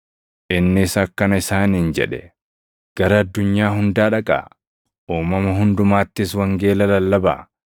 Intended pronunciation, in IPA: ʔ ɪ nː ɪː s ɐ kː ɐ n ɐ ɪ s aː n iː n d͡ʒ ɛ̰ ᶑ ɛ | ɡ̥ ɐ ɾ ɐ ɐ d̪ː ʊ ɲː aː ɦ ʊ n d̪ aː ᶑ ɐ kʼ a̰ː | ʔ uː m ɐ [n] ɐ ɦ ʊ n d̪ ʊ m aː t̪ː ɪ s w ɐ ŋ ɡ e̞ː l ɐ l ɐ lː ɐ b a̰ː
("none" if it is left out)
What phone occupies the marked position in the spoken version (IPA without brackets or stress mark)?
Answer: m